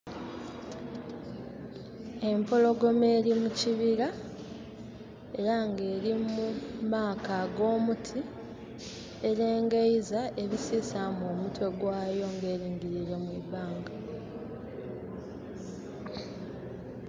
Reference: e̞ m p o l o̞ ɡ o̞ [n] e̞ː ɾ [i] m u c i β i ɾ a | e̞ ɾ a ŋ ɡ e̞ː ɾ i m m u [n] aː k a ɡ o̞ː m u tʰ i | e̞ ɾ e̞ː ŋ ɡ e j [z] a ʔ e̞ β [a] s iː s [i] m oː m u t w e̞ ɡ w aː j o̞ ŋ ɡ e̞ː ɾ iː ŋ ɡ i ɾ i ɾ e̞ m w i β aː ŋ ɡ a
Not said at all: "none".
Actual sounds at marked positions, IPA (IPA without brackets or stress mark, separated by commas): m, i, m, z, i, a